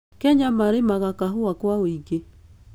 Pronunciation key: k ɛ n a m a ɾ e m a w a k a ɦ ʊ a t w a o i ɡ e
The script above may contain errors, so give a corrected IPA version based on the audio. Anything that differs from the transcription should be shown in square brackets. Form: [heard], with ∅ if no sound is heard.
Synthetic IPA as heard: k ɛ [ɲ] a m a ɾ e m a [ɣ] a k a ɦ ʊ a [k] w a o i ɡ e

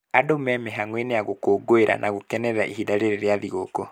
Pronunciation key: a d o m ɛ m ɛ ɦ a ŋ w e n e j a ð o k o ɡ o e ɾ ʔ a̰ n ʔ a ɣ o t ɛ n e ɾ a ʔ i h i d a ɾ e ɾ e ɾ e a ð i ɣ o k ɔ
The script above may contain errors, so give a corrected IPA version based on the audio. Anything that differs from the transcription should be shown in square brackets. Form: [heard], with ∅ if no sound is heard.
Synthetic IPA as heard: a d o m ɛ m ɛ ɦ a ŋ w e n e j a [ɣ] o k o ɡ o e ɾ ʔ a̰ n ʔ a ɣ o [k] ɛ n [ɛ] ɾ a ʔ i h i d a ɾ e ɾ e ɾ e a ð i ɣ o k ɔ

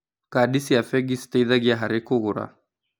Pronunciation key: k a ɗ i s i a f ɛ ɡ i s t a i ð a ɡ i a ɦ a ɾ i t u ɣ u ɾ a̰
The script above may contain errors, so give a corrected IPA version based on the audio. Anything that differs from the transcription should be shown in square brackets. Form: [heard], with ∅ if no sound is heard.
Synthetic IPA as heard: k a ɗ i s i a f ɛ ɡ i s t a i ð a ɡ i a ɦ a ɾ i [k] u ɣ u ɾ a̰

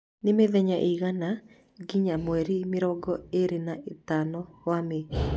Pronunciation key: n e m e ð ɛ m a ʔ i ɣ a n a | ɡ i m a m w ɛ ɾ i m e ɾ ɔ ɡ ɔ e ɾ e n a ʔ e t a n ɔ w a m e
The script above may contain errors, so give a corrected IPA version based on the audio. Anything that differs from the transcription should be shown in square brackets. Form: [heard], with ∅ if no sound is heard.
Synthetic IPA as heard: n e m e ð ɛ [ɲ] a ʔ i ɣ a n a | ɡ i [ɲ] a m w ɛ ɾ i m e ɾ ɔ ɡ ɔ e ɾ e n a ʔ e t a n ɔ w a m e

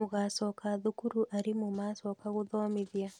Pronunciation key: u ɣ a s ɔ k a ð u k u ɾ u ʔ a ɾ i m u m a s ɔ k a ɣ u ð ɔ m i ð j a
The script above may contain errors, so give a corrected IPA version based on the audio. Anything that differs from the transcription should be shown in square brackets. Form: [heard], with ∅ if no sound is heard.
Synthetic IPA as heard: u ɣ a s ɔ k a ð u k u ɾ u ʔ a ɾ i m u m a s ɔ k a ɣ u ð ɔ m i ð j a

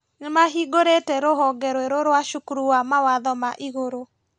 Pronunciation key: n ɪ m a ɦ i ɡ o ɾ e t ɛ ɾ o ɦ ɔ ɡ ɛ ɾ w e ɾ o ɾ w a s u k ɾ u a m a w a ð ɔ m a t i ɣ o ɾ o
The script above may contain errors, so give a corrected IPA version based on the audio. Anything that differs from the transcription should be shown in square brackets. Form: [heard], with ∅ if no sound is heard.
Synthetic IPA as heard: n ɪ m a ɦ i ɡ o ɾ e t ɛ ɾ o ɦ ɔ ɡ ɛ ɾ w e ɾ o ɾ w a [ʃ] u k ɾ u a m a w a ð ɔ m a [ʔ] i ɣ o ɾ o

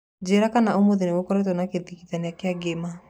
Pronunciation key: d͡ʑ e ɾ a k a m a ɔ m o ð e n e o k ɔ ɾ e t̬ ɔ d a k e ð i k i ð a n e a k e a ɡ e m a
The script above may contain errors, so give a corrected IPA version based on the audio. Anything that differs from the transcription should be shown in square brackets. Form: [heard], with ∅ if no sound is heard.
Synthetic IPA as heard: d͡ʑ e ɾ a k a [n] a [o] m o ð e n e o k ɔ ɾ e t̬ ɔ [n] a k e ð i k i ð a n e a k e a ɡ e m a

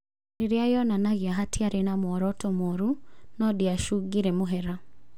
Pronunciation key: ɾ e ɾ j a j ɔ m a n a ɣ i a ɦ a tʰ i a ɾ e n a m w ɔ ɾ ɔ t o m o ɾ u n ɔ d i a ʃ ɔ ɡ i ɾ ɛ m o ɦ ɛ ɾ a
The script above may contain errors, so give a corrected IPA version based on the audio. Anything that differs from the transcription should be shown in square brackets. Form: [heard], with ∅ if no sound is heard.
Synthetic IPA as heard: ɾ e ɾ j a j ɔ [n] a n a ɣ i a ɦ a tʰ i a ɾ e n a m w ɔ ɾ ɔ t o m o ɾ u n ɔ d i a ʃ [u] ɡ i ɾ ɛ m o ɦ ɛ ɾ a

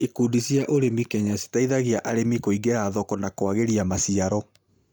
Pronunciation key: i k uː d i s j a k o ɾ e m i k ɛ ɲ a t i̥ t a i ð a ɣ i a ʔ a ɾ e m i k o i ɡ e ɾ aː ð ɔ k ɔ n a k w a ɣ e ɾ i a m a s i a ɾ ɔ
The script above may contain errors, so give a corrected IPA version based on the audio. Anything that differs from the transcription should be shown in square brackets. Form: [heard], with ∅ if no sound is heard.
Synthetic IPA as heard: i k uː d i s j a [ʔ] o ɾ e m i k ɛ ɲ a [s] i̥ t a i ð a ɣ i a ʔ a ɾ e m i k o i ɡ e ɾ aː ð ɔ k ɔ n a k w a ɣ e ɾ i a m a s i a ɾ ɔ

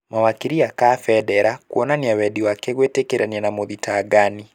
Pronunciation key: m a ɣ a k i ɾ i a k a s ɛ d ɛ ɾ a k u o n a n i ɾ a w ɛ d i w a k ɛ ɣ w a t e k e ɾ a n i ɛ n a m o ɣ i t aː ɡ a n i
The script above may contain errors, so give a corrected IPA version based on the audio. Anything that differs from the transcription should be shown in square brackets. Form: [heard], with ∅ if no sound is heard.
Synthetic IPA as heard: m a [w] a k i ɾ i a k a [f] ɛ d ɛ ɾ a k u [ɔ] n a n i [∅] a w ɛ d i w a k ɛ ɣ w [e] t e k e ɾ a n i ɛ n a m o [ð] i t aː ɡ a n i

